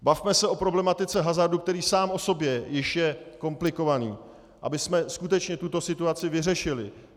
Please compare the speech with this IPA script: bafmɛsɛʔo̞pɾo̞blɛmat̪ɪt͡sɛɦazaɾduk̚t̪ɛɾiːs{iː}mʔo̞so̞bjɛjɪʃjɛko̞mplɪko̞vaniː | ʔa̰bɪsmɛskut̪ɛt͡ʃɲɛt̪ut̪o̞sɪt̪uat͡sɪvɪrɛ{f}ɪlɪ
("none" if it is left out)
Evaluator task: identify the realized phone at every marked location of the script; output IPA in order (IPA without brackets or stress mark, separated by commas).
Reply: aː, ʃ